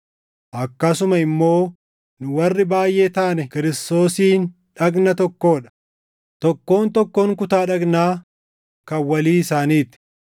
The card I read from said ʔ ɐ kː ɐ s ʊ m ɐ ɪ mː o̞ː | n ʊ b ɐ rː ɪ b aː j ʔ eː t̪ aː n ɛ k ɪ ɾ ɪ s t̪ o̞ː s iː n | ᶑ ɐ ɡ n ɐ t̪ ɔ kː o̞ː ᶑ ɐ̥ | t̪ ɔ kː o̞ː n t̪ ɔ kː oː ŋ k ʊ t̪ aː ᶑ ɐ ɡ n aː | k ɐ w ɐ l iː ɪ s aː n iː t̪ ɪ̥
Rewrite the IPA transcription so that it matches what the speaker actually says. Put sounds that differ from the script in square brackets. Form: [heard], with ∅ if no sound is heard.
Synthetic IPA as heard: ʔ ɐ kː ɐ s ʊ m ɐ ɪ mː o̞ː | n ʊ [w] ɐ rː ɪ b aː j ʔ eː t̪ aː n ɛ k ɪ ɾ ɪ s t̪ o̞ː s iː n | ᶑ ɐ ɡ n ɐ t̪ ɔ kː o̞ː ᶑ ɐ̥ | t̪ ɔ kː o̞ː n t̪ ɔ kː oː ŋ k ʊ t̪ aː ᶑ ɐ ɡ n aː | k ɐ w ɐ l iː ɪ s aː n iː t̪ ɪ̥